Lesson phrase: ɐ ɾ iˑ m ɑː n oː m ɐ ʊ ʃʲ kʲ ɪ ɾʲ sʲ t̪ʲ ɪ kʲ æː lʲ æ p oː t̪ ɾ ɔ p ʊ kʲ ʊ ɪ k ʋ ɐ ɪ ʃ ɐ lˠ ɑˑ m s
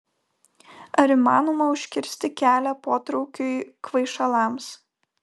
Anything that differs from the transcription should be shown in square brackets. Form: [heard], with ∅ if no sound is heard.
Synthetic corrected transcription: ɐ ɾ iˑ m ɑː n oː m ɐ ʊ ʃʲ kʲ ɪ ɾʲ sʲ t̪ʲ ɪ kʲ æː lʲ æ p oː t̪ ɾ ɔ [∅] ʊ kʲ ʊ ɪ k ʋ ɐ ɪ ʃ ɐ lˠ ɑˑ m s